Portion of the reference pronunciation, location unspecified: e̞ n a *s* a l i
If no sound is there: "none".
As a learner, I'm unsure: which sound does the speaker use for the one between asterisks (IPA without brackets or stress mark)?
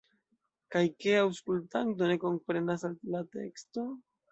s